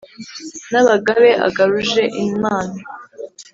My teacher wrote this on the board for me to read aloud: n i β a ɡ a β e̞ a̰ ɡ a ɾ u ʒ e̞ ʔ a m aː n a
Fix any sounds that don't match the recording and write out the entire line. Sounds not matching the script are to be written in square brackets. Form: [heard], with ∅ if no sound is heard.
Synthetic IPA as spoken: n [a] β a ɡ a β e̞ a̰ ɡ a ɾ u ʒ e̞ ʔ [i] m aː n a